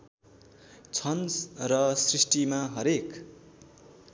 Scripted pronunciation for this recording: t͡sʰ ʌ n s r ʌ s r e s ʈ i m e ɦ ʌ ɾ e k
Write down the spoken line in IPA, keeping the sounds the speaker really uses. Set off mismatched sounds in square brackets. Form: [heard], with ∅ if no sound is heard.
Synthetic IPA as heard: t͡sʰ ʌ n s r ʌ s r [i] s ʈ i m [a] ɦ ʌ ɾ e k